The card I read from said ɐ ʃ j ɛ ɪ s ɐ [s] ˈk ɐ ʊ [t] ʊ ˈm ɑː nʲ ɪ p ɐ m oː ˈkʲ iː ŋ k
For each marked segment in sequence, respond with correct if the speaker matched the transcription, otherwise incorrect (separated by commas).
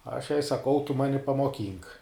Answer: incorrect, correct